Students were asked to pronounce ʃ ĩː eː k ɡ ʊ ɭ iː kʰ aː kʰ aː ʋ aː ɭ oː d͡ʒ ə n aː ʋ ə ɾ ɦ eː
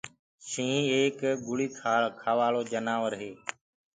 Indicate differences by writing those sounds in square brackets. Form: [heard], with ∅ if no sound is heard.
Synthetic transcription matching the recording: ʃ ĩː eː k ɡ ʊ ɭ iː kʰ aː kʰ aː ʋ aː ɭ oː d͡ʒ ə n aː ʋ ə ɾ ɦ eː